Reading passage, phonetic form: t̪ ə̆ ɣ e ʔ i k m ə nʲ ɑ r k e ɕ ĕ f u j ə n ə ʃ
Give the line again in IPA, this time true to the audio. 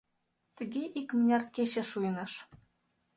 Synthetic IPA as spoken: t̪ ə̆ ɣ e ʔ i k m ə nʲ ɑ r k e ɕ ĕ ʃ u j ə n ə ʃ